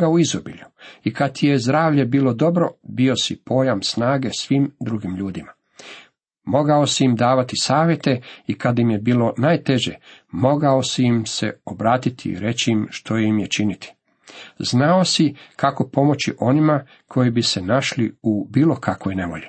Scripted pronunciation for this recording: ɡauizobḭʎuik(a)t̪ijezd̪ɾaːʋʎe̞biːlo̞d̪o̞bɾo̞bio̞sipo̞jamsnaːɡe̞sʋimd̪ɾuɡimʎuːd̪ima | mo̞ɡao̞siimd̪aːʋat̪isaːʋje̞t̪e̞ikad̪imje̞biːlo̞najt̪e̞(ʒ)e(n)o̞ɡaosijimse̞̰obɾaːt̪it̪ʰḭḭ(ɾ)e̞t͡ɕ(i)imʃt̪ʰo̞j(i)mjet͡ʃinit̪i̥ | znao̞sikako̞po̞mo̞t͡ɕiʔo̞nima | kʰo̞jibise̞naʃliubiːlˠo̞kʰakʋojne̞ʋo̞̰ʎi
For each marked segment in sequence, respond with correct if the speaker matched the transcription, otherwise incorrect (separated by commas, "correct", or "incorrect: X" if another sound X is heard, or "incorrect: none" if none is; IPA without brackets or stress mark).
correct, correct, incorrect: m, correct, correct, correct